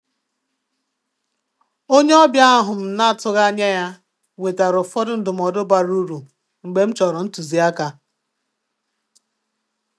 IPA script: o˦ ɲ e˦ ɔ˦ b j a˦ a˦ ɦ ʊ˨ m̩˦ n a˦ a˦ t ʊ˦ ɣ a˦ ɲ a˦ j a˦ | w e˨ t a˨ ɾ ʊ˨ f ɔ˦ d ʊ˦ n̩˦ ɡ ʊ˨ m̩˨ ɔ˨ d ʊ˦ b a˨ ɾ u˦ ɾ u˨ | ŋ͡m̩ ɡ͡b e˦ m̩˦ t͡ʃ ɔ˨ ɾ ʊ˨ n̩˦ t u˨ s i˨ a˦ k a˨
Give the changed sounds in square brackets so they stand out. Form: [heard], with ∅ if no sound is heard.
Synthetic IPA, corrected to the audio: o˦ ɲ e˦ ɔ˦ b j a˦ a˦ ɦ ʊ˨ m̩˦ n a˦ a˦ t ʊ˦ ɣ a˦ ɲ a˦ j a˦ | w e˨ t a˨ ɾ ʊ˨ f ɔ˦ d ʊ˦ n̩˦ [d] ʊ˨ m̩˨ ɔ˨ d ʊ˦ b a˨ ɾ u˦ ɾ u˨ | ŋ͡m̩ ɡ͡b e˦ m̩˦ t͡ʃ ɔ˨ ɾ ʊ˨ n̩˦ t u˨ [z] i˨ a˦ k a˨